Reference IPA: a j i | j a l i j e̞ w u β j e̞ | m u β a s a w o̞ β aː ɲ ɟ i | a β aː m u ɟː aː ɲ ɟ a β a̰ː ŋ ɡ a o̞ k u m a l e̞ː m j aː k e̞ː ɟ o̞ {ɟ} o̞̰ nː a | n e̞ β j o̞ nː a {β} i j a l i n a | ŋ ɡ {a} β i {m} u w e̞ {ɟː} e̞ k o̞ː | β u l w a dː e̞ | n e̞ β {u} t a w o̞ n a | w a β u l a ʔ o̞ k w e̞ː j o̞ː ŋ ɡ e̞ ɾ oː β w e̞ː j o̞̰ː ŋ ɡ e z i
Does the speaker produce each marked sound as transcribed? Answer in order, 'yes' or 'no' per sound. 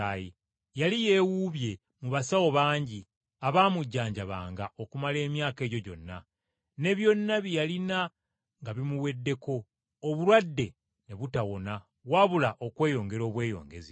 yes, yes, yes, yes, no, yes

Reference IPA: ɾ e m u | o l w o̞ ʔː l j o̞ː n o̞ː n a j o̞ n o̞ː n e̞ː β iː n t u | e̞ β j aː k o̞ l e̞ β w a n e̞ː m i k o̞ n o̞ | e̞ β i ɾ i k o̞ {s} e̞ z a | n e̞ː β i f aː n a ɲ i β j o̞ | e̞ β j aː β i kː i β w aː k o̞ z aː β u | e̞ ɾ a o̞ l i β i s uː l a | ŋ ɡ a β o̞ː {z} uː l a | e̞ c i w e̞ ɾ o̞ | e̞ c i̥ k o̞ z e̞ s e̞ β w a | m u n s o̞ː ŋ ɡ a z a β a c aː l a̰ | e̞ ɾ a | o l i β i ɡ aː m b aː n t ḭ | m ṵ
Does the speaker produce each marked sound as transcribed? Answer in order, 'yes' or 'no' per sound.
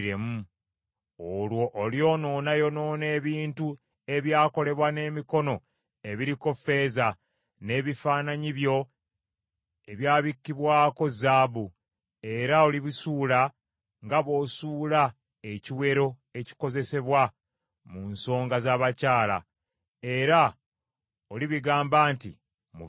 no, no

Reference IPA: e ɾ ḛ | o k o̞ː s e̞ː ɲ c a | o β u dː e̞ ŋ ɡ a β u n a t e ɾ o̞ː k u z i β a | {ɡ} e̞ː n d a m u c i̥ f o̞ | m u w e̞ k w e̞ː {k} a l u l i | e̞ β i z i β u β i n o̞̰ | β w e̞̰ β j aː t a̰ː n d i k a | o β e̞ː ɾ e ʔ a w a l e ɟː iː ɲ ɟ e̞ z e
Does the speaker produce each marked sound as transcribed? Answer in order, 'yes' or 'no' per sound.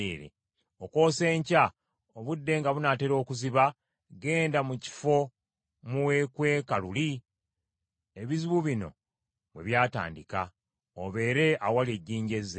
yes, yes

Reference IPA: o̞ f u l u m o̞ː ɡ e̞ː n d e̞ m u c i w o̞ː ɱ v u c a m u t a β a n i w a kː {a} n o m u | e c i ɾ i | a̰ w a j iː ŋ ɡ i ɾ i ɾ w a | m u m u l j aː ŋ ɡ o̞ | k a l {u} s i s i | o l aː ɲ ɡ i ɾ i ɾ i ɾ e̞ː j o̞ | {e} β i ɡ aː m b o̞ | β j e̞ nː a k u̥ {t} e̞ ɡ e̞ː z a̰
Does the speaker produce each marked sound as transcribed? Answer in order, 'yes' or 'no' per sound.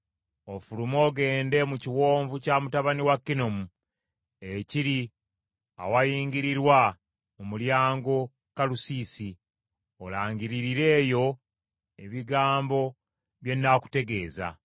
no, yes, yes, yes

